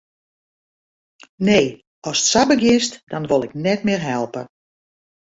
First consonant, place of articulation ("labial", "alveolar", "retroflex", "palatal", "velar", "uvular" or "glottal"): alveolar